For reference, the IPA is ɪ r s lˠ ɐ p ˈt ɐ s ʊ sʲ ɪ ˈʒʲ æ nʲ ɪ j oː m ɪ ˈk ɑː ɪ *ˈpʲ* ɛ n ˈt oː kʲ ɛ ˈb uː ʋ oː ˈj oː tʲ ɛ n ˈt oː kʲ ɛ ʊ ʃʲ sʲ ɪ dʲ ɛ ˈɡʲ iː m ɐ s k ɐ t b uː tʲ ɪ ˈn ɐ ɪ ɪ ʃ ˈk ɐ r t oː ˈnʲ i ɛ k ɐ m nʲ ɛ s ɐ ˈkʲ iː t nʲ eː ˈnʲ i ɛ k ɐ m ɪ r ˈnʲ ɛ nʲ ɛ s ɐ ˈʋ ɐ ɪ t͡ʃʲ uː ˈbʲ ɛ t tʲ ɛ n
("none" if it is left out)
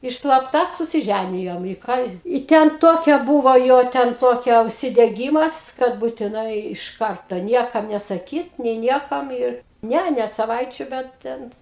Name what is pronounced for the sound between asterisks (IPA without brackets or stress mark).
tʲ